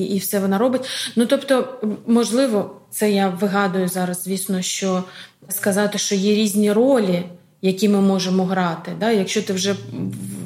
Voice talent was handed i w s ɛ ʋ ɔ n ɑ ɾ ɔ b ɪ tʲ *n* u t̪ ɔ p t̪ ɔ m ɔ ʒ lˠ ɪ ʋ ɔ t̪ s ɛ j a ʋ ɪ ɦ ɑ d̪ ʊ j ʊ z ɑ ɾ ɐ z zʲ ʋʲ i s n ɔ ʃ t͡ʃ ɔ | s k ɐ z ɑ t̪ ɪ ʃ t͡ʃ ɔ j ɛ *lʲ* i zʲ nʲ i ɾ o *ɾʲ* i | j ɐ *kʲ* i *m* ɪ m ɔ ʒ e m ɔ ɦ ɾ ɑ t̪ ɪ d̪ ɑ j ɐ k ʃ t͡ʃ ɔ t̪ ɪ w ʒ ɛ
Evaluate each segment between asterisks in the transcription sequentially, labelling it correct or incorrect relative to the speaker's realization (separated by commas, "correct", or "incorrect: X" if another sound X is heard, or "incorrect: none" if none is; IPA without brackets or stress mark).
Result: correct, incorrect: ɾʲ, incorrect: lʲ, correct, correct